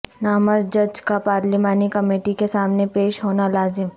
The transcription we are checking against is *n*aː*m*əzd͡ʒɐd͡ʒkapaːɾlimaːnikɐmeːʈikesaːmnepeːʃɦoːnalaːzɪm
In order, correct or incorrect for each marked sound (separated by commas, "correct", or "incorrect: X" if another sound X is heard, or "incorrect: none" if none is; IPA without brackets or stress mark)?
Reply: correct, correct